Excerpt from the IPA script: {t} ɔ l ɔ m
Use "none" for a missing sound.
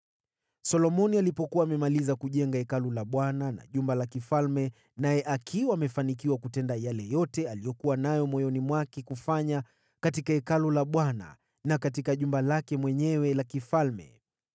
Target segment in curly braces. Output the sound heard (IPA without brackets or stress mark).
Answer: s